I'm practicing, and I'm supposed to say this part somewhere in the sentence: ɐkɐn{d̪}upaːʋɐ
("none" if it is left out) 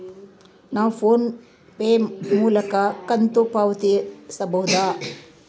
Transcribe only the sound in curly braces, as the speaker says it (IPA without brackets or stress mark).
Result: t̪